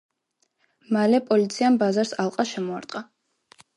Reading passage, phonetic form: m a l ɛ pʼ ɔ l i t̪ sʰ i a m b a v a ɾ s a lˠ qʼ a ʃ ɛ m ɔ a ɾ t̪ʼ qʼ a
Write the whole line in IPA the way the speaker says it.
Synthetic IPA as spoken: m a l ɛ pʼ ɔ l i t̪ sʰ i a m b a z a ɾ s a lˠ qʼ a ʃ ɛ m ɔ a ɾ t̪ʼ qʼ a